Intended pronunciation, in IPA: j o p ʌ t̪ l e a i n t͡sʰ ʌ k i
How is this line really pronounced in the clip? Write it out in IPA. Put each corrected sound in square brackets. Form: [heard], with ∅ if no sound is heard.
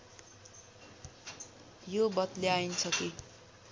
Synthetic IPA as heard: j o [b] ʌ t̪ l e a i n t͡sʰ ʌ k i